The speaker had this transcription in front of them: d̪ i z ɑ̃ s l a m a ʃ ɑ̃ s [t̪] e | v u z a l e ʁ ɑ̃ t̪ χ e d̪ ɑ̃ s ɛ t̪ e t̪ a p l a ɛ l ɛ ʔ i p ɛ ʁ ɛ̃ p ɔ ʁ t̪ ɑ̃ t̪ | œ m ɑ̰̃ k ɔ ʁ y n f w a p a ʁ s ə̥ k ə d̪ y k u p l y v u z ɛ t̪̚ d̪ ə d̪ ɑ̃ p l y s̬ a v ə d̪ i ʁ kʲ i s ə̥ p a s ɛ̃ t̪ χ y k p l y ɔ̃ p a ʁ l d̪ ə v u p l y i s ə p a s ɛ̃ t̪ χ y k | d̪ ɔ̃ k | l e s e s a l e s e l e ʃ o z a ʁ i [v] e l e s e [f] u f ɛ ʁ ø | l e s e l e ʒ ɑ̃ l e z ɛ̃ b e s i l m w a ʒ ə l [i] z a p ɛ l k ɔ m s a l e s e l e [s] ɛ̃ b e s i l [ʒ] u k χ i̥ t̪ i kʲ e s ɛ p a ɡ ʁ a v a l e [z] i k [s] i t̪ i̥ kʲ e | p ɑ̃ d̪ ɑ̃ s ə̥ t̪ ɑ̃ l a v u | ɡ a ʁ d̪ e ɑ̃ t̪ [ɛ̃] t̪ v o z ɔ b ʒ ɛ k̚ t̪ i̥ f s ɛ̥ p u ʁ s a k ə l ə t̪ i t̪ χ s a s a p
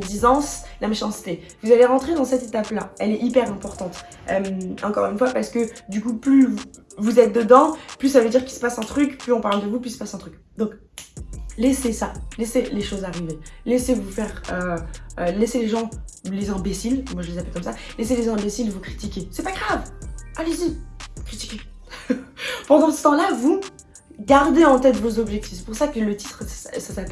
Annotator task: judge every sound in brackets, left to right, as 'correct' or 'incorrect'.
correct, correct, incorrect, incorrect, incorrect, incorrect, correct, incorrect, incorrect

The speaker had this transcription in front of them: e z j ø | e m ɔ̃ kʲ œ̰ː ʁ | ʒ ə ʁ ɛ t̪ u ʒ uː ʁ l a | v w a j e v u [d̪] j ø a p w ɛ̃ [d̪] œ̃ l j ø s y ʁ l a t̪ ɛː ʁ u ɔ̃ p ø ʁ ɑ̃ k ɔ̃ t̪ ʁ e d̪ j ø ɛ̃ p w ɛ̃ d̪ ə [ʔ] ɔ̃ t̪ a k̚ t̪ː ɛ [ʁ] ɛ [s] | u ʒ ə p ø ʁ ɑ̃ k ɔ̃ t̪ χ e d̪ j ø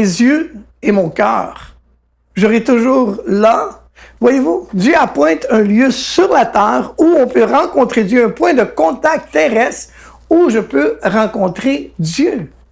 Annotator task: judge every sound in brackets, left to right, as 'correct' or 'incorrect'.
correct, incorrect, incorrect, correct, correct

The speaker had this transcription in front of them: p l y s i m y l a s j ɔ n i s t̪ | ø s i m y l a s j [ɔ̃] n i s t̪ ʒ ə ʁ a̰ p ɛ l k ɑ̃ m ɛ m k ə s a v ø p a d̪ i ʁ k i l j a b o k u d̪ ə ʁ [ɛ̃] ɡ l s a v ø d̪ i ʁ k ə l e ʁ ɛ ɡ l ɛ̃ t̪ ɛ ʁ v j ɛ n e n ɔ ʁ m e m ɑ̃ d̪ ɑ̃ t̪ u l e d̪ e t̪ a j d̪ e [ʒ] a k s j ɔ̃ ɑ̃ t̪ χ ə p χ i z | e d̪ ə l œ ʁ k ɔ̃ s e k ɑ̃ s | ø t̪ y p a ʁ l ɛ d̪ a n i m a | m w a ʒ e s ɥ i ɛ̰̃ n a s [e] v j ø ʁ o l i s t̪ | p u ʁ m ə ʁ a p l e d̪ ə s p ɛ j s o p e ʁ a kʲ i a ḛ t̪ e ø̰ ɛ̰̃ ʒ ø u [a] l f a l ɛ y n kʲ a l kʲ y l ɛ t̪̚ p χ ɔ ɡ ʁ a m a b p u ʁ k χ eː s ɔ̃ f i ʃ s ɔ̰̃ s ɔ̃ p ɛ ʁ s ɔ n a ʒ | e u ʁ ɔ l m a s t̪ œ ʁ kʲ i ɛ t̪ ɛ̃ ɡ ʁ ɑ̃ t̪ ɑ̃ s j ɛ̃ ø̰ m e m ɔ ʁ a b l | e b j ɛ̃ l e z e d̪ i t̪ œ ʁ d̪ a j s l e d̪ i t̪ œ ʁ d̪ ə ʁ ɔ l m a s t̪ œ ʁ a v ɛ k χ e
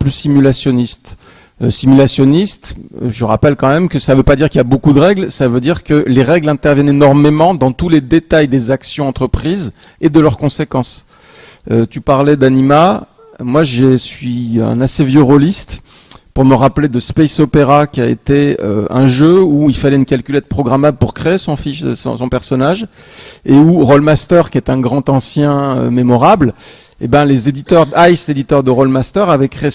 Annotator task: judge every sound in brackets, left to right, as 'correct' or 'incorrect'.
incorrect, incorrect, incorrect, correct, incorrect

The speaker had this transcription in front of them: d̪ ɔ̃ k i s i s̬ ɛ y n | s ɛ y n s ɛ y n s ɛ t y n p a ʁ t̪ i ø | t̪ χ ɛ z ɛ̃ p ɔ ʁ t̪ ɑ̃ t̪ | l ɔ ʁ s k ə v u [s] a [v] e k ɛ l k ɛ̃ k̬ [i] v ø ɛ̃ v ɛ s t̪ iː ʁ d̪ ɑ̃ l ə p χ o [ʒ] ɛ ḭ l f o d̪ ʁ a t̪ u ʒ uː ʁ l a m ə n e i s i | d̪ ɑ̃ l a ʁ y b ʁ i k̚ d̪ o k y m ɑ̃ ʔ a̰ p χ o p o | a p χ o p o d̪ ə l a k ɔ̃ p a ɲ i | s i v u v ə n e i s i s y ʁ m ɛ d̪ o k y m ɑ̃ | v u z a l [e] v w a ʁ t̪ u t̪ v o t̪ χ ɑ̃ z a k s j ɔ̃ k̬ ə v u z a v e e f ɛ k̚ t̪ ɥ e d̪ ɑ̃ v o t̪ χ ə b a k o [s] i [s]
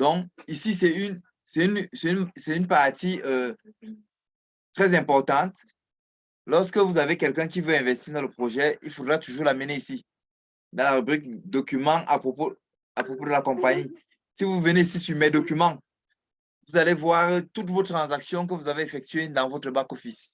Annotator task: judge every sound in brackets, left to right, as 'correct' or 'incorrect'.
incorrect, correct, correct, correct, correct, incorrect, correct

